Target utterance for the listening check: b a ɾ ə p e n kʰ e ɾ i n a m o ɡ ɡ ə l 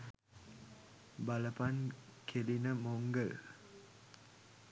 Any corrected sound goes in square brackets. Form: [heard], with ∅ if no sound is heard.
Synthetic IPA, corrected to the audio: b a [l] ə p [a] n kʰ e [l] i n [ə] m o [ŋ] ɡ ə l